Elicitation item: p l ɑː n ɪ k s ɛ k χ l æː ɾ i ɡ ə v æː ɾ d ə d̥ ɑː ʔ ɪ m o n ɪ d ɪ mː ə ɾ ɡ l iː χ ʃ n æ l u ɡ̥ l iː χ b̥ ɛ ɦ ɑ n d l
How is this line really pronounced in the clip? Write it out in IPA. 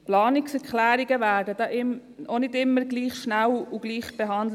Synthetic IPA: p l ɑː n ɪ k s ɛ k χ l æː ɾ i ɡ ə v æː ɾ d ə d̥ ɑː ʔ ɪ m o n ɪ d ɪ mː ə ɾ ɡ l iː χ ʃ n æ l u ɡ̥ l iː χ b̥ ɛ ɦ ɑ n d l